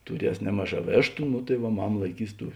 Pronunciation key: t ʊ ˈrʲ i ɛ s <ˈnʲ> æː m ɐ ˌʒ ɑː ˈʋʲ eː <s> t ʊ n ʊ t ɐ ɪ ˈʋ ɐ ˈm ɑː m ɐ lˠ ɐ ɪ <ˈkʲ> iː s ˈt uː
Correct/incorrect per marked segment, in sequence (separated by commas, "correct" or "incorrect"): correct, incorrect, correct